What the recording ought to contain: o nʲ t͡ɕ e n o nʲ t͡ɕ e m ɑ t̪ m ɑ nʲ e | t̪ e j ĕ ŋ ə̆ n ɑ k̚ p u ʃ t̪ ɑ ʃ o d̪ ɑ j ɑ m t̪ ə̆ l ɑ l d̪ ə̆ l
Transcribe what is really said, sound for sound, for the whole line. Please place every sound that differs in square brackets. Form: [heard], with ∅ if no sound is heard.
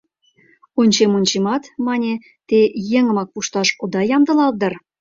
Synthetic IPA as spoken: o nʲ t͡ɕ e [m] o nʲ t͡ɕ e m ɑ t̪ m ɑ nʲ e | t̪ e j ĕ ŋ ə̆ [m] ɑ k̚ p u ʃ t̪ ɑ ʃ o d̪ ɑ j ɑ m [d̪] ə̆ l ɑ l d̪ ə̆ [r]